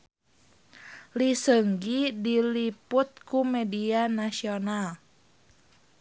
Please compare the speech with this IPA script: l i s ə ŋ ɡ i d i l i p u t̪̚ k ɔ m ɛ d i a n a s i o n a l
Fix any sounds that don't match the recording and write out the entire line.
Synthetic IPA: l i s ə ŋ ɡ i d i l i p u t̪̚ k u m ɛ d i a n a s i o n a l